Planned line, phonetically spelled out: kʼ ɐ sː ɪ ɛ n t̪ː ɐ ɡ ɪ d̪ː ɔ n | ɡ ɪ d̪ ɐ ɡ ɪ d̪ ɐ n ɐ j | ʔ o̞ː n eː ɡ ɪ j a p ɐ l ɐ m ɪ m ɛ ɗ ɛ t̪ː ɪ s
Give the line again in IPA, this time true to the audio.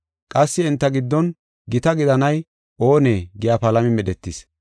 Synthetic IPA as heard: kʼ ɐ sː ɪ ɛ n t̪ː ɐ ɡ ɪ d̪ː ɔ n | ɡ ɪ t̪ ɐ ɡ ɪ d̪ ɐ n ɐ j | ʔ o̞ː n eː ɡ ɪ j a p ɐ l ɐ m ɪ m ɛ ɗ ɛ t̪ː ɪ s